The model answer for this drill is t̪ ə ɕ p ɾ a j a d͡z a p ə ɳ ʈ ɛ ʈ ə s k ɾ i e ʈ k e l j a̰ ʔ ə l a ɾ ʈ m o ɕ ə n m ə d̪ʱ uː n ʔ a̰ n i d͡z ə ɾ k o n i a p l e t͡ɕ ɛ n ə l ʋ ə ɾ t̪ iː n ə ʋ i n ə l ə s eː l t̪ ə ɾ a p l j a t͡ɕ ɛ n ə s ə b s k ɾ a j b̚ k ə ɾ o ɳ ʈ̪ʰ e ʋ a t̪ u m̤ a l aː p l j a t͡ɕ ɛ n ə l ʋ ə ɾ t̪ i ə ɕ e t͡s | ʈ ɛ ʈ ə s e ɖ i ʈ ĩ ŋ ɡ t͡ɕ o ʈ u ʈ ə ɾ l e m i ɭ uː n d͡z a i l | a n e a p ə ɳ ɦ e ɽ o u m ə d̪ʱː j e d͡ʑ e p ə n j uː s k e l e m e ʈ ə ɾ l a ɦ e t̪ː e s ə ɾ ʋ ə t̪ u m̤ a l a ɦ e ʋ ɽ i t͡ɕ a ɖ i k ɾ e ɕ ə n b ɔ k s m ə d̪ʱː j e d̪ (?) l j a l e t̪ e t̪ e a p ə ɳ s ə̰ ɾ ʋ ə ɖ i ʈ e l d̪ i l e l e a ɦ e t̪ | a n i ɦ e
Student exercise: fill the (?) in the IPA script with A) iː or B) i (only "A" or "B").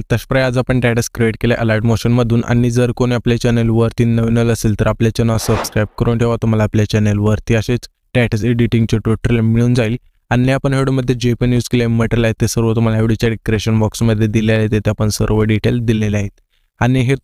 B